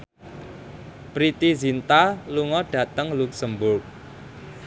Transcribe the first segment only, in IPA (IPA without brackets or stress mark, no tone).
p